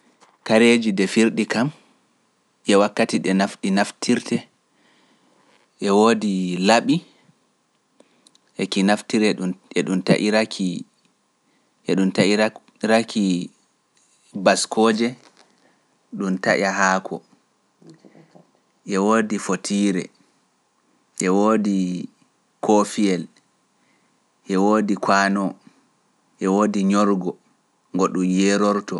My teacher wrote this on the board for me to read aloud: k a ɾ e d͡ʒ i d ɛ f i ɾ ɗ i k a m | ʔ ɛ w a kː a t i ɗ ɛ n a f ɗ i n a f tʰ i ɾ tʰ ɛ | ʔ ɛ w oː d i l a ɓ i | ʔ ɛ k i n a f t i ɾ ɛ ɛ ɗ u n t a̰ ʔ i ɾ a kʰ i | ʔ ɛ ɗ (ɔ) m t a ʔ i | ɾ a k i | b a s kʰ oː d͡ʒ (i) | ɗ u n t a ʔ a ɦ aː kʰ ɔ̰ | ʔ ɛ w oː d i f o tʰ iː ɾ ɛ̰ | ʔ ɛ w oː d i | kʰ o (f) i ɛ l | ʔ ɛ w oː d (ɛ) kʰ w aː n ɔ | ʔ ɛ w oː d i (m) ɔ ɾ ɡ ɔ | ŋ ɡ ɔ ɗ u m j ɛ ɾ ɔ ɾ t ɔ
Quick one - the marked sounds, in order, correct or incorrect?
incorrect, incorrect, correct, incorrect, incorrect

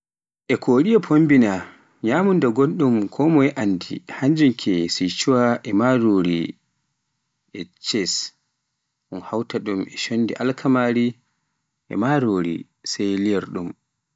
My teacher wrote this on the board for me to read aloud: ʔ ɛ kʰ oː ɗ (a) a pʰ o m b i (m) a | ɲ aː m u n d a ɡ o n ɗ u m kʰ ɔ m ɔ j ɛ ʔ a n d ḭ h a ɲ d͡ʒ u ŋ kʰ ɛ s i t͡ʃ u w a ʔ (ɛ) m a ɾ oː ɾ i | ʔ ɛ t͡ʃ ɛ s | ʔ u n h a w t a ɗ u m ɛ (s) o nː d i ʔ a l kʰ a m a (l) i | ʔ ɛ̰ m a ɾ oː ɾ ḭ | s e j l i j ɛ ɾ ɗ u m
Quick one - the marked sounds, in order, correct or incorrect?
incorrect, incorrect, correct, incorrect, incorrect

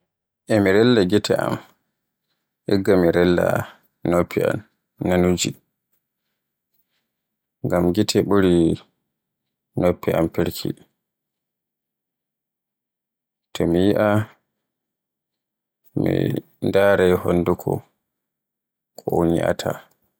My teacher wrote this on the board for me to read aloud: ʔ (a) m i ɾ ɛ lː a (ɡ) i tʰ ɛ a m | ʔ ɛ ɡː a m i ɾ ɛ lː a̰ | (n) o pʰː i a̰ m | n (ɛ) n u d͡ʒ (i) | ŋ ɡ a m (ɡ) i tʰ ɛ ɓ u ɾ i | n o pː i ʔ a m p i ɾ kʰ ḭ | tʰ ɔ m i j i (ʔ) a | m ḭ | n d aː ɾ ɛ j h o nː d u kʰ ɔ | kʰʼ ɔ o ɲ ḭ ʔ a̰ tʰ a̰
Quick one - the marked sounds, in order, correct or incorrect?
incorrect, correct, correct, incorrect, correct, correct, correct

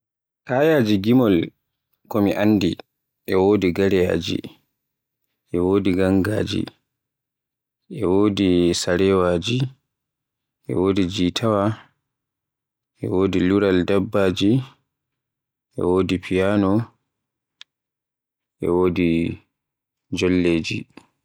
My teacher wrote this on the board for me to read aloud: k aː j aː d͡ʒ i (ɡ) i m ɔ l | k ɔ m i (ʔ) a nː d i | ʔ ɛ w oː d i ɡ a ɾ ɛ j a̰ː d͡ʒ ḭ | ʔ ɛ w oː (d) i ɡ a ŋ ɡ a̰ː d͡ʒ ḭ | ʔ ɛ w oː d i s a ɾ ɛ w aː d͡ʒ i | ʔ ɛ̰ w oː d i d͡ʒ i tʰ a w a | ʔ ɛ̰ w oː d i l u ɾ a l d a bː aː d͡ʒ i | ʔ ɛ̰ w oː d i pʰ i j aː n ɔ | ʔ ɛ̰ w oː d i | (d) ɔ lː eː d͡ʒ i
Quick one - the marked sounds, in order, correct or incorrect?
correct, correct, correct, incorrect

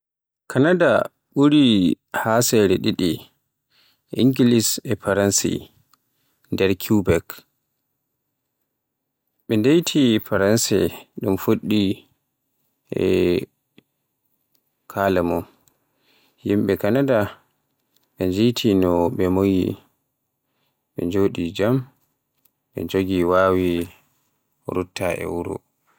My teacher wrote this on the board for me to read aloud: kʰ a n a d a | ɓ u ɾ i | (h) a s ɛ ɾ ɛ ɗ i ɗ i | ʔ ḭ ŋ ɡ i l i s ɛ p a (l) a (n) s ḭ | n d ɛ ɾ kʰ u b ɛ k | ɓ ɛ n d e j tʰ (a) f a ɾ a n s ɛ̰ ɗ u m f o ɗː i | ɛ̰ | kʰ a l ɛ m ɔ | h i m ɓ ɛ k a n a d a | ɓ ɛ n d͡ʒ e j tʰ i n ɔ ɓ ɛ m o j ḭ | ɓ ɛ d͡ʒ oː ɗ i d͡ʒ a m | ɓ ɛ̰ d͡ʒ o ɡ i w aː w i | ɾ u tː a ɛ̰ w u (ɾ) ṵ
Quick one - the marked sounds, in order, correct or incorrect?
correct, incorrect, correct, incorrect, correct

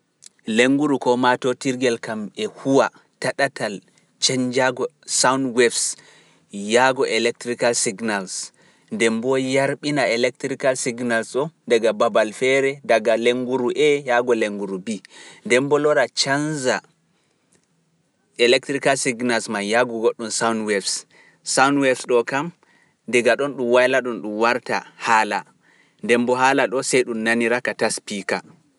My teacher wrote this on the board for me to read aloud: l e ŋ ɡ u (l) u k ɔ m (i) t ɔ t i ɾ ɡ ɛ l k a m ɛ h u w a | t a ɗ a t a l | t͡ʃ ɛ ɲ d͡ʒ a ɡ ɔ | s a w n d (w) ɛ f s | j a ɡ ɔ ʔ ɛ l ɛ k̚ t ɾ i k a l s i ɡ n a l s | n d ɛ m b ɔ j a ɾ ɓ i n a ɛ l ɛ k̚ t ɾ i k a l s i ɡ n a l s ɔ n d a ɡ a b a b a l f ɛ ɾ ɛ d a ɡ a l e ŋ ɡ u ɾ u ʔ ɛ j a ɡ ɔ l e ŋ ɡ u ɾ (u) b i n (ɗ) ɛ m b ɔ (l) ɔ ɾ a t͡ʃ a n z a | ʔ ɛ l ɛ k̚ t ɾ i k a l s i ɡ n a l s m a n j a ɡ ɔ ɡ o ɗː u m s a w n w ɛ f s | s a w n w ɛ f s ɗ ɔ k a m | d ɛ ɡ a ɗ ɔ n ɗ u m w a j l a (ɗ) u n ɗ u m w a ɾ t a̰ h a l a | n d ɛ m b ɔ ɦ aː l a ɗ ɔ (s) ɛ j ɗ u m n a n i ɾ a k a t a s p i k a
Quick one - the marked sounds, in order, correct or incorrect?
incorrect, incorrect, correct, correct, incorrect, correct, correct, correct

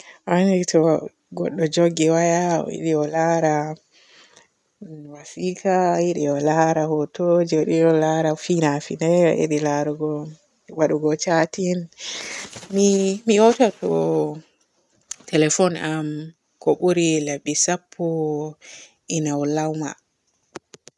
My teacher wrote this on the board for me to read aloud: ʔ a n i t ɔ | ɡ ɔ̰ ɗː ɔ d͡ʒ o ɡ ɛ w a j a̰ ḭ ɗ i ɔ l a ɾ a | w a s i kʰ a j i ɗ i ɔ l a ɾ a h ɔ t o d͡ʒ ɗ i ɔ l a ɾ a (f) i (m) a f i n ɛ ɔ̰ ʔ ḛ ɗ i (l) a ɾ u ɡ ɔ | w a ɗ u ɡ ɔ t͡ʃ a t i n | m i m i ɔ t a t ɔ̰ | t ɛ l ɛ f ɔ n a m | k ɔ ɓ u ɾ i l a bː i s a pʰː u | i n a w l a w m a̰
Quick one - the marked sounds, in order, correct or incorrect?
correct, incorrect, correct

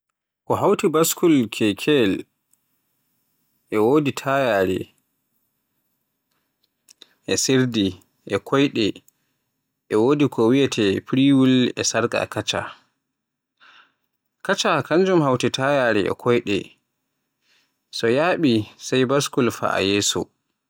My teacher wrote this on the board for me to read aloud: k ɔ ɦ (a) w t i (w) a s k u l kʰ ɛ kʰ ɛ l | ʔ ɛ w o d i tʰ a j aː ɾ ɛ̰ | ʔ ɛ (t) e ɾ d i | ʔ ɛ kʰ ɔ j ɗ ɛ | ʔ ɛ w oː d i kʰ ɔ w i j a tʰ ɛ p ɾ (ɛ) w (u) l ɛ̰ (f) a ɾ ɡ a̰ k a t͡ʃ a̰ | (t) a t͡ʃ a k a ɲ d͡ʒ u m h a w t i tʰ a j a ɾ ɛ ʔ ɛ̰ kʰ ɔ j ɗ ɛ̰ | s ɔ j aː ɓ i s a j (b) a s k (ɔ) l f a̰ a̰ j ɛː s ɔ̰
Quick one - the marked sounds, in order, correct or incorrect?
correct, incorrect, incorrect, incorrect, correct, incorrect, incorrect, correct, incorrect

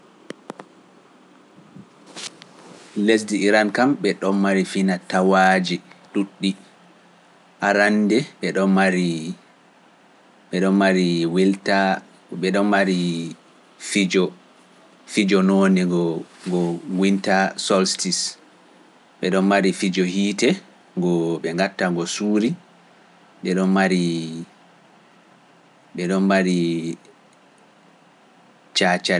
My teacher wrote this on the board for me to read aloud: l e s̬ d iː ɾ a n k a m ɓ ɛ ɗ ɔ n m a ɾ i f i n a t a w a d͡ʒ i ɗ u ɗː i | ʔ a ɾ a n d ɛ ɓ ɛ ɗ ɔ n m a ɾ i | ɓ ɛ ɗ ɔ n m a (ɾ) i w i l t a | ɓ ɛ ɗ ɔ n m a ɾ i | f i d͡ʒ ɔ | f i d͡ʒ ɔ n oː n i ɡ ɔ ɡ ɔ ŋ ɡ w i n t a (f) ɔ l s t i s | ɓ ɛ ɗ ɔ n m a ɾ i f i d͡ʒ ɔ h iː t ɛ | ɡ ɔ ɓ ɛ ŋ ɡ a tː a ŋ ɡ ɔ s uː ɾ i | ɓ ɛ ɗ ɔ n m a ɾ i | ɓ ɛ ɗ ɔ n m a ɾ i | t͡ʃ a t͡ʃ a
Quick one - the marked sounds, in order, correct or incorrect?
correct, incorrect

